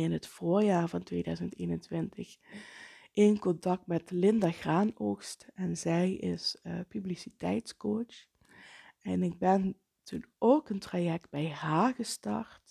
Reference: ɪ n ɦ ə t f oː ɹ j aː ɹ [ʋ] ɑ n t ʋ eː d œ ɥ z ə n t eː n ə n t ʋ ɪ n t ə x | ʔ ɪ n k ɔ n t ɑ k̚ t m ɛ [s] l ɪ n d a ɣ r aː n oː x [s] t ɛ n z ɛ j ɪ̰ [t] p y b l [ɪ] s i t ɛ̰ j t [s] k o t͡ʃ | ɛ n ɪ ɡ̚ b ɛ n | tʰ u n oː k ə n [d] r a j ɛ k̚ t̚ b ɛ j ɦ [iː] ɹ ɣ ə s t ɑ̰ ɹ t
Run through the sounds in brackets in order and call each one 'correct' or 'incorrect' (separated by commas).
incorrect, incorrect, correct, incorrect, incorrect, correct, incorrect, incorrect